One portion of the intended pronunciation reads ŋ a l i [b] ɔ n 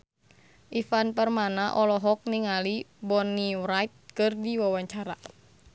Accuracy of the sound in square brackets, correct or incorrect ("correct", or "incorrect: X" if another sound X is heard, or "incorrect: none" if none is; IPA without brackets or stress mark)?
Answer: correct